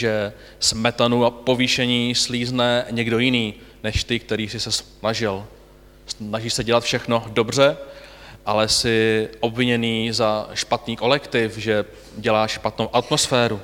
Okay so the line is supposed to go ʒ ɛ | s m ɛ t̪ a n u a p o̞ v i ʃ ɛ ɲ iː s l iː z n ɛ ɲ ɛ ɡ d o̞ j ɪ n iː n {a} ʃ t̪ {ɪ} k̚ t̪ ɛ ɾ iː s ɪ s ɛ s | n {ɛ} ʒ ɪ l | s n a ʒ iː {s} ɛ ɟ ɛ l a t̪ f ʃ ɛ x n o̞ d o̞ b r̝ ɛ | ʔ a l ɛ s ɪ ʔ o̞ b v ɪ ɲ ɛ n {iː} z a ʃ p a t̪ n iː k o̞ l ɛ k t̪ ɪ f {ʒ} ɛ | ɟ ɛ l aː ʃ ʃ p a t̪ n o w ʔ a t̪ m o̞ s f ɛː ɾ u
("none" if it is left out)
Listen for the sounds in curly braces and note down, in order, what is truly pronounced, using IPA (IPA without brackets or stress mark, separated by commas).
ɛ, ɪ, a, s, iː, ʒ